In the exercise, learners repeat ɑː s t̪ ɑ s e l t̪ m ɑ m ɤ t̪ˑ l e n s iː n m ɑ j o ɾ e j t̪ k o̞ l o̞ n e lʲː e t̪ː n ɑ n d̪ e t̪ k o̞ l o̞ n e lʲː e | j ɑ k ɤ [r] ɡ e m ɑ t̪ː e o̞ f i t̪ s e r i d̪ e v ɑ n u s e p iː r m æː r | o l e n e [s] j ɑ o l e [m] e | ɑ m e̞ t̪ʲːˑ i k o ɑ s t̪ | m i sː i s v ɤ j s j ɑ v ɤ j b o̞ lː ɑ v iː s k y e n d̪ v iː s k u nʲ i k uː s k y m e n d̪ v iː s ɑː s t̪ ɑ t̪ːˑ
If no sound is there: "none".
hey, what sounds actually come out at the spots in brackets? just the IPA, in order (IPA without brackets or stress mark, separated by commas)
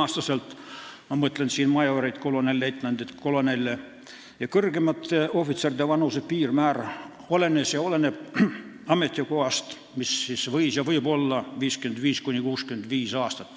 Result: r, s, n